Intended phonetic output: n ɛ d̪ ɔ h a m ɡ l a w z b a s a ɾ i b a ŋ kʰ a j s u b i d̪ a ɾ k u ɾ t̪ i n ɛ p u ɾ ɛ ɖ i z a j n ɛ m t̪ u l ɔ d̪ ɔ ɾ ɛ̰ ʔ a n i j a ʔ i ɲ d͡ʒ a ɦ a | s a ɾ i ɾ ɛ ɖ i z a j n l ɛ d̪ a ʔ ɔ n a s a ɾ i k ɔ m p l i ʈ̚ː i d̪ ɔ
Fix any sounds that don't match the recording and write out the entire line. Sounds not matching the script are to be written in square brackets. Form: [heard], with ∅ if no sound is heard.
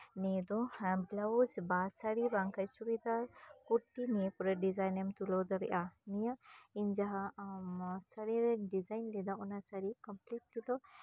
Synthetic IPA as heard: n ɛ d̪ ɔ h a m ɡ l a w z b a s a ɾ i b a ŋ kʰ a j s u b i d̪ a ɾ k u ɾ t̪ i n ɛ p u ɾ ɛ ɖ i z a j n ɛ m t̪ u l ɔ d̪ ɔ ɾ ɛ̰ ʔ a n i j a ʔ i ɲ d͡ʒ a ɦ a | s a ɾ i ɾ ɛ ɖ i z a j n l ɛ d̪ a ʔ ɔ n a s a ɾ i k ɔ m p l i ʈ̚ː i d̪ ɔ